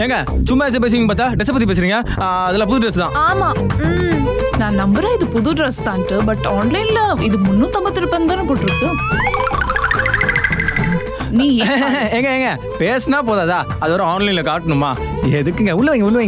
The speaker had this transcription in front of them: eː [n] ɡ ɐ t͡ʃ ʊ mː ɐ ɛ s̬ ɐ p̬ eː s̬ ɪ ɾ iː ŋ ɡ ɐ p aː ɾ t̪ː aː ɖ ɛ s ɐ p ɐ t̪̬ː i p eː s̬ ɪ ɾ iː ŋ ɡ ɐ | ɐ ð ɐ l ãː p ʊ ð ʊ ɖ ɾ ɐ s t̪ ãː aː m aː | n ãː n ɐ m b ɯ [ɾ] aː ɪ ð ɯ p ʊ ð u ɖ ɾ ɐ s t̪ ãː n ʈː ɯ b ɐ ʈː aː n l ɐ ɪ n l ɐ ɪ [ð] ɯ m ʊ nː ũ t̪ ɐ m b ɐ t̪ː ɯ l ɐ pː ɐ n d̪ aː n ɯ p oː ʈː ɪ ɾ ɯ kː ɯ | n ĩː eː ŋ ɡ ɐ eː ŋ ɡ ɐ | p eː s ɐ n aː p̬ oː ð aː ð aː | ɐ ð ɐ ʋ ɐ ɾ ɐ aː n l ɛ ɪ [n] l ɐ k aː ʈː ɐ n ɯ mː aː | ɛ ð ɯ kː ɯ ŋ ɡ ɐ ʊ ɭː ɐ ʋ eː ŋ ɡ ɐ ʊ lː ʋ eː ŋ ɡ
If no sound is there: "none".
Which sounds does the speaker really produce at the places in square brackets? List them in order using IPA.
ŋ, ɾ, ð, n

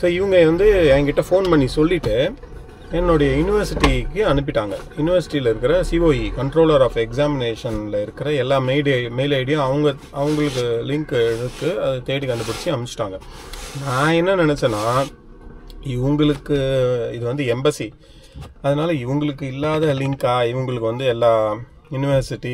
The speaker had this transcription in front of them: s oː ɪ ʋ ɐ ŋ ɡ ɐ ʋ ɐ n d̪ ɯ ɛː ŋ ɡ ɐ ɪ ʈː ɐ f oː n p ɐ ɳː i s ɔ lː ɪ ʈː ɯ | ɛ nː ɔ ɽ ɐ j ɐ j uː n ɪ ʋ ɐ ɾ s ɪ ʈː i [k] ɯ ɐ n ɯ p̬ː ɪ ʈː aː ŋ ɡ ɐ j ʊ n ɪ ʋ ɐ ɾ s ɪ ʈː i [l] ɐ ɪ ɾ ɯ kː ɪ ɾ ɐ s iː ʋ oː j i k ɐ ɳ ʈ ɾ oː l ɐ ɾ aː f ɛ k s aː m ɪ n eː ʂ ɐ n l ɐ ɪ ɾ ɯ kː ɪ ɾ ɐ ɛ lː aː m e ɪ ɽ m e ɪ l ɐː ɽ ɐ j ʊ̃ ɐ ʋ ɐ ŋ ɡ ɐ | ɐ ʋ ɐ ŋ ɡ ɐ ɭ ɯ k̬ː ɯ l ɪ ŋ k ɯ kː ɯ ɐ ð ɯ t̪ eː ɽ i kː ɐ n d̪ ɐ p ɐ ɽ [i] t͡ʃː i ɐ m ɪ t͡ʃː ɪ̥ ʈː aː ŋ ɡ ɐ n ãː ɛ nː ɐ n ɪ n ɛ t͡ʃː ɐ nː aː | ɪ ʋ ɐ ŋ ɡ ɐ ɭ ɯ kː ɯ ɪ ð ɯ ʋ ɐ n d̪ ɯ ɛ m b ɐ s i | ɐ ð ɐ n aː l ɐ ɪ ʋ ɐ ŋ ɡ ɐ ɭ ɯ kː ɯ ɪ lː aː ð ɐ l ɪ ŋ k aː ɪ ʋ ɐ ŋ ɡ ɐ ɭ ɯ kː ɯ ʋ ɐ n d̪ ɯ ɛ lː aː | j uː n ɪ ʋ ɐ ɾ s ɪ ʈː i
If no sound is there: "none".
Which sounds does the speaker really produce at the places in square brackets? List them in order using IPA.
k, l, ɪ

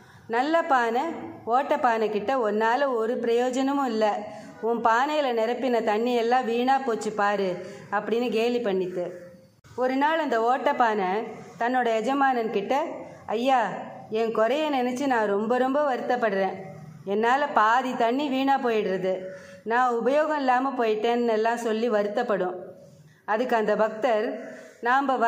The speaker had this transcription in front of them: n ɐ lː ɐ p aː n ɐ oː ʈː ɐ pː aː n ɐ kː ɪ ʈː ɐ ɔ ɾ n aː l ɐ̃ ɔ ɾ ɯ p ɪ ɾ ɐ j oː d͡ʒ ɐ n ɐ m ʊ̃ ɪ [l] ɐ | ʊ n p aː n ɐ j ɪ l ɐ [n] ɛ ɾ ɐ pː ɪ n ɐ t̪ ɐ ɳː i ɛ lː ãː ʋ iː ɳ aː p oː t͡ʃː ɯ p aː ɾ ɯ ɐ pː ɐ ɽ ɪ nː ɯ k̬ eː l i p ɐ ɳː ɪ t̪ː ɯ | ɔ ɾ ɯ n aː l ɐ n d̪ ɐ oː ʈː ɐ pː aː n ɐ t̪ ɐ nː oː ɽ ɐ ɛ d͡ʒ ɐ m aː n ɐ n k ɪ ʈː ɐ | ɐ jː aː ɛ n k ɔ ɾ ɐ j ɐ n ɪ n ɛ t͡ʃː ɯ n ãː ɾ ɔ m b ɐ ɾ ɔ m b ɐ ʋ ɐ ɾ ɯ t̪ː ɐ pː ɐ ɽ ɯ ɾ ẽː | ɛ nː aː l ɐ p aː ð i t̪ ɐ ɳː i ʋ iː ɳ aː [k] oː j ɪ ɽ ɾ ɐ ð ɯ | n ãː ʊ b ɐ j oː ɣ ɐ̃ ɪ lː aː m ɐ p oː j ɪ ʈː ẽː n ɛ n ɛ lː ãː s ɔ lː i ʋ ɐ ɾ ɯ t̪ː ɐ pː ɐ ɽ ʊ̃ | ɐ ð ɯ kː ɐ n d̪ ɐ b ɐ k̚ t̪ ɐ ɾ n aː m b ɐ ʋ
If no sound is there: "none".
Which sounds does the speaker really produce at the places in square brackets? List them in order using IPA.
lː, n, p

